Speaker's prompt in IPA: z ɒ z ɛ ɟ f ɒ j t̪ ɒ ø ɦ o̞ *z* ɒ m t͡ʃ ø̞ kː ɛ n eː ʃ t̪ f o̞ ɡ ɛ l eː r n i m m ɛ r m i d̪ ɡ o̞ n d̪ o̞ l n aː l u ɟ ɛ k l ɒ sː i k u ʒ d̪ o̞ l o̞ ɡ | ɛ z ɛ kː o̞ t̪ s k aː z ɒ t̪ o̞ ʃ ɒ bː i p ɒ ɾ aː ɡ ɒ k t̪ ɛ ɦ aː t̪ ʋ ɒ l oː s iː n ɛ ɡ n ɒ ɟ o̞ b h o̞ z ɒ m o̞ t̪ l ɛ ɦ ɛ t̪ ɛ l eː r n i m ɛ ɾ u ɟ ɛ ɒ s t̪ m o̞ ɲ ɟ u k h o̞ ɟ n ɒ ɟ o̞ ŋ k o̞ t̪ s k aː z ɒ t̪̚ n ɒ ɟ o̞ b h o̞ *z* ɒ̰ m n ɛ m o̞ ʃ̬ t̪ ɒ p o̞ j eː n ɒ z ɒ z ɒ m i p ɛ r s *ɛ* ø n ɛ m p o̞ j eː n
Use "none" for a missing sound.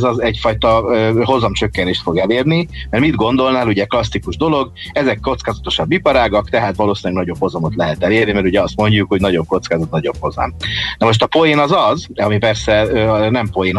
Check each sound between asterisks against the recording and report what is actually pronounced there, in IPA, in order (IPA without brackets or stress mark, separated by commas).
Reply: z, z, ɛ